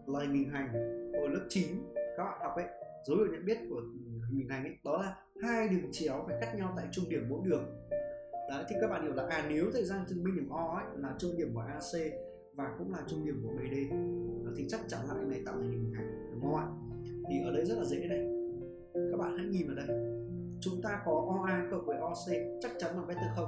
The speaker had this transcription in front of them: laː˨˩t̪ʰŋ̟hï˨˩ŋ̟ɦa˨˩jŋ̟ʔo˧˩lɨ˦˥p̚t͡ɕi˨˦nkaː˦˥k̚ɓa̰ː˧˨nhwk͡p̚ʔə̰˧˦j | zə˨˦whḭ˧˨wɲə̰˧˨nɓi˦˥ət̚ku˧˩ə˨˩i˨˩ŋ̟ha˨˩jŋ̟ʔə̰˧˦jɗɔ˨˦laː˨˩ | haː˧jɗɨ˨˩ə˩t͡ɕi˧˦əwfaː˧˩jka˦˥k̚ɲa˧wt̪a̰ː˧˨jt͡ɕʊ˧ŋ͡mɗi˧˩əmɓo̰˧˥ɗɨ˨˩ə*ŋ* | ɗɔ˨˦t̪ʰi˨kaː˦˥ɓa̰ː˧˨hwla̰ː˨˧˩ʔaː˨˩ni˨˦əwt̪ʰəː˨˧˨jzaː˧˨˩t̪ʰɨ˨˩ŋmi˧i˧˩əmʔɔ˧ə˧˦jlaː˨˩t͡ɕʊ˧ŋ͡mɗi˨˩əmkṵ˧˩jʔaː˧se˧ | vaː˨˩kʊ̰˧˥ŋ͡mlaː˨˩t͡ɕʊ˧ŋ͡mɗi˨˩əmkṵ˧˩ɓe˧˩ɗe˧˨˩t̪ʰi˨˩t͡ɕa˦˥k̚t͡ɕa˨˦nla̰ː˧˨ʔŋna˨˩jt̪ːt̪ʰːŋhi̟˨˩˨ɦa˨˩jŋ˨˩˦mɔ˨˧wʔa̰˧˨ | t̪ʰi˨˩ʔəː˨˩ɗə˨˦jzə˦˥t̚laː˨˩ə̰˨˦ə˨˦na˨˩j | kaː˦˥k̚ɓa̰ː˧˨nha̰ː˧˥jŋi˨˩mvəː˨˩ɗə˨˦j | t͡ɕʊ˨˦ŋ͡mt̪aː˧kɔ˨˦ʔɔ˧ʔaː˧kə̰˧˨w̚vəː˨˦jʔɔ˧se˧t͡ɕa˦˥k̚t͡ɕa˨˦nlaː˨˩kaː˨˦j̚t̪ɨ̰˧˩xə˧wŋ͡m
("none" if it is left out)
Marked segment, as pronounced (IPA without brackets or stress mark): ŋ